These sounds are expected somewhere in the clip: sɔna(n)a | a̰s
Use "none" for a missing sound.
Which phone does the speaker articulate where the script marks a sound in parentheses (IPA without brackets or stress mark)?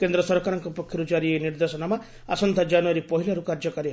m